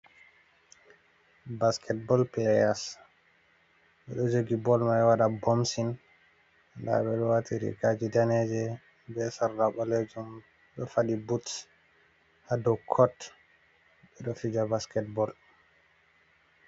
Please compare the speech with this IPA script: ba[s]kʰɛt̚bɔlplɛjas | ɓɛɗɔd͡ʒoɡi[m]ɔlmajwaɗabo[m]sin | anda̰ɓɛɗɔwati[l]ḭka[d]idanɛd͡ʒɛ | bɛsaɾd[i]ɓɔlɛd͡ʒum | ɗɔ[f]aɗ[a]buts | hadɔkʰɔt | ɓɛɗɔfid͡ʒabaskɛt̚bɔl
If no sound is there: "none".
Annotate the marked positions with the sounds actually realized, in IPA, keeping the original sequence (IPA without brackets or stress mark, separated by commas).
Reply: s, b, m, ɾ, d͡ʒ, a, f, i